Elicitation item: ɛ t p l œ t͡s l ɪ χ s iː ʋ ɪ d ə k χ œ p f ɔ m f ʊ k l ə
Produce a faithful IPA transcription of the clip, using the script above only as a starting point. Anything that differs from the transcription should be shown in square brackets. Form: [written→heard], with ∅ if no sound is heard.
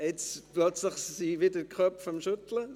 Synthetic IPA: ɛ [t→t͡s] p l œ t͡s l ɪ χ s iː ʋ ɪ d ə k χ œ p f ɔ m [f→ʃ] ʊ [k→t] l ə